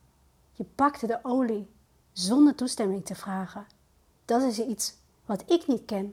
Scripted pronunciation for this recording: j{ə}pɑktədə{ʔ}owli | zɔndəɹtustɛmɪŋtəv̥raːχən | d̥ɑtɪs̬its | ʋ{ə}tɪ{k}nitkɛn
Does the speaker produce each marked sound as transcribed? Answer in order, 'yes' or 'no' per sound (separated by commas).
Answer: yes, yes, no, yes